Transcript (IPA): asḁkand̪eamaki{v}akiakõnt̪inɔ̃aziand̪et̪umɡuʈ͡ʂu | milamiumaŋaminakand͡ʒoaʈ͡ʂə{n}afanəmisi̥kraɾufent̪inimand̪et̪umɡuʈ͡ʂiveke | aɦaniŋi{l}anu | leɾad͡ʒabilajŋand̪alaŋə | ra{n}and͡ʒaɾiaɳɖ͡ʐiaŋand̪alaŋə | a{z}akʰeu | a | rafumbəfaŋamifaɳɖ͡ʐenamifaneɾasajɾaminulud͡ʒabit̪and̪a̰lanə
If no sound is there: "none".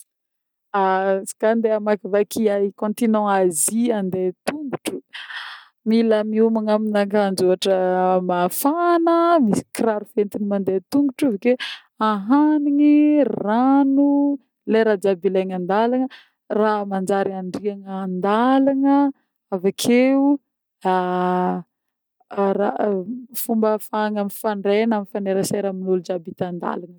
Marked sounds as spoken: v, m, r, m, v

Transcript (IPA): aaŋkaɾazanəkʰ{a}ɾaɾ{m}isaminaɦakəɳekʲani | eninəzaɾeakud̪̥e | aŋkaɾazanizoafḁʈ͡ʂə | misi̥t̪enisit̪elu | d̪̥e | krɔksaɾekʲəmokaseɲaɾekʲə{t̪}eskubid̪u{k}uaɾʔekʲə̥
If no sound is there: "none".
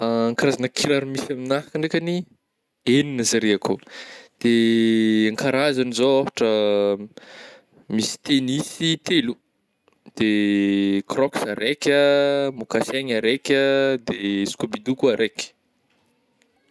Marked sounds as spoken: i, m, d̪, k

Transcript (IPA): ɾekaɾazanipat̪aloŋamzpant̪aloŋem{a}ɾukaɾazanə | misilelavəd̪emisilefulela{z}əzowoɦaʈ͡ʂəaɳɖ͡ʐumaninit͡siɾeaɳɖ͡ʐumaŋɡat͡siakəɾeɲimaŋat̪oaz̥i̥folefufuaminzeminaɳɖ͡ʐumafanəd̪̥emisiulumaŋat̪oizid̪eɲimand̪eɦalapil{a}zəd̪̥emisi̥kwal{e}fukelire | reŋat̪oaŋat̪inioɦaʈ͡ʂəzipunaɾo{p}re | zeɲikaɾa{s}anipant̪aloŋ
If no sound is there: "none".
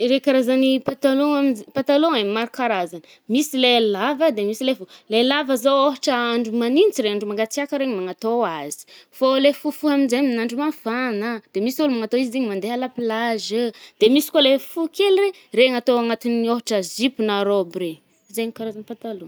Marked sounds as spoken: a, v, a, e, b, z

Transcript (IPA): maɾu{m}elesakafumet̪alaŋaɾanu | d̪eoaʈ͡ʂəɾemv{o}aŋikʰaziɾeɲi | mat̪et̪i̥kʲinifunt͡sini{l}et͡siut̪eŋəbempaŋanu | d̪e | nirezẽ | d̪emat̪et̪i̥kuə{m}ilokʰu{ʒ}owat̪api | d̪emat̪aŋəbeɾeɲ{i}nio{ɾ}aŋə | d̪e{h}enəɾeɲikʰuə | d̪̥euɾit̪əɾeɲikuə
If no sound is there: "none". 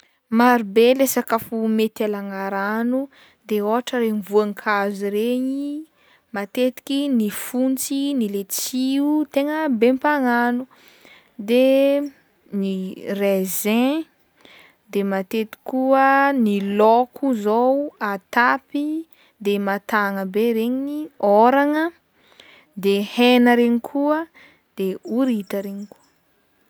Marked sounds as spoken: b, u, l, n, z, i, ɾ, h

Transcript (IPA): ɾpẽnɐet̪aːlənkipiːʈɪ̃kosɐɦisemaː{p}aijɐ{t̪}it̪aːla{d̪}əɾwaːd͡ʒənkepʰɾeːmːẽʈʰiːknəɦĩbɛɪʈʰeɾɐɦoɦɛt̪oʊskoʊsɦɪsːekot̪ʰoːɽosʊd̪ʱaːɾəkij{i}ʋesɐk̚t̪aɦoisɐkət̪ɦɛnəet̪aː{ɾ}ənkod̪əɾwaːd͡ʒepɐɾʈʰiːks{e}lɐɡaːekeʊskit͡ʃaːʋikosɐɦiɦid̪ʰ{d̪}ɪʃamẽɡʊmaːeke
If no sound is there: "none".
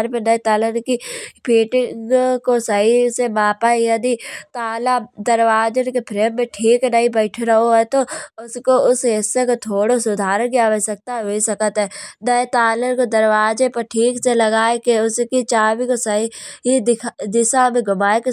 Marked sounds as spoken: p, d̪, d̪, a, l, e, d̪

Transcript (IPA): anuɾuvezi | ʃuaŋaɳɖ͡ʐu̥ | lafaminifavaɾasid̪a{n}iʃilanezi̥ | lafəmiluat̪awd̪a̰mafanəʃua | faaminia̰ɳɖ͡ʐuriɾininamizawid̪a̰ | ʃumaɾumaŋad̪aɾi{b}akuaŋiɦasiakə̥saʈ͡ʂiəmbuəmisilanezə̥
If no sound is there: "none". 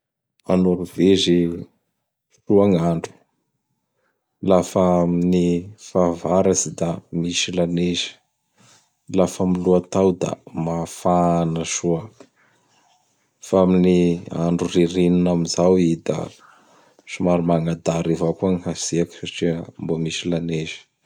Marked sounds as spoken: m, v

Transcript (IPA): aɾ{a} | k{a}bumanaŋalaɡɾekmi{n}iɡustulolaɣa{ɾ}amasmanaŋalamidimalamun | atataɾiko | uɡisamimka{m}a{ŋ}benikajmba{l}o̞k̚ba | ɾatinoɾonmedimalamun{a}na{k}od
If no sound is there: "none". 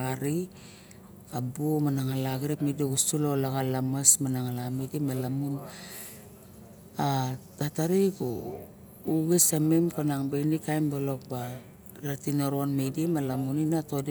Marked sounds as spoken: i, a, d, l, n, ŋ, l, i, t

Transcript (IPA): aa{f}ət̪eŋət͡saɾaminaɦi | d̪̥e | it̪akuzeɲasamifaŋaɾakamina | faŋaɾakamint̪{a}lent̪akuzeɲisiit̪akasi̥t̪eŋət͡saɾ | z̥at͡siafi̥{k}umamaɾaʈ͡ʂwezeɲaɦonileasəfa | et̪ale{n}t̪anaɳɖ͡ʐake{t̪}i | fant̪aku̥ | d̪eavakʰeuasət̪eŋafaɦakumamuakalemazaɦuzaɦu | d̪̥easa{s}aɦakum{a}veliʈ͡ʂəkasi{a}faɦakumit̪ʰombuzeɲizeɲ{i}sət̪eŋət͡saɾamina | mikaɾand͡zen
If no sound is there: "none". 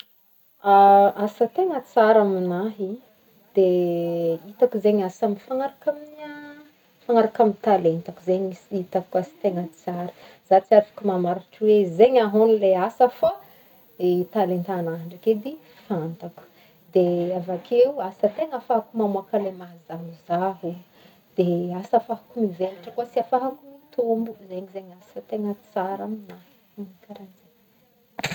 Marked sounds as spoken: s, a, k, n, d̪, f, i, a, a

